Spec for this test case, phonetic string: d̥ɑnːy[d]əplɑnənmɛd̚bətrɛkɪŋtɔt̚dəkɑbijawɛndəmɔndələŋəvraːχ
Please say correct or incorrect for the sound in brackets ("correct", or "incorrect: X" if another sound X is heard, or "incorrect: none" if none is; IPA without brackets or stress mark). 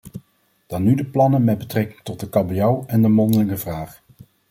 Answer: correct